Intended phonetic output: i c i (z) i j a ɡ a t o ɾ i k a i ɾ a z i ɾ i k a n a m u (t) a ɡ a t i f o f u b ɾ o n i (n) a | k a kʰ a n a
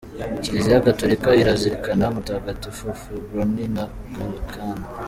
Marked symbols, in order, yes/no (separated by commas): yes, yes, yes